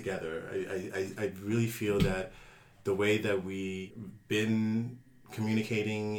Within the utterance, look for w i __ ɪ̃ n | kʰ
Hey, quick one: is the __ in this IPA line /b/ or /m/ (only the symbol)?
b